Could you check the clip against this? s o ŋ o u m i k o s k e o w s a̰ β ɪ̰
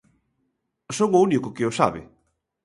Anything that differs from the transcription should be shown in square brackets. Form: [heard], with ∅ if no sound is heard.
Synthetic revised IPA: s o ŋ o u [n] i k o [∅] k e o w s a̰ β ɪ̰